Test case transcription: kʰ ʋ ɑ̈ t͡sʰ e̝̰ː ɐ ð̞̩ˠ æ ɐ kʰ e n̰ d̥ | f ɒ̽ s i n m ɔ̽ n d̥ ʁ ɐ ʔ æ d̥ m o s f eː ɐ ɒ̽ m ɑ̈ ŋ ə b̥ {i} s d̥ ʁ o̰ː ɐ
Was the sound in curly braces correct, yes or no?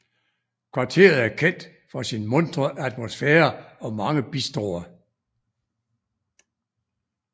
yes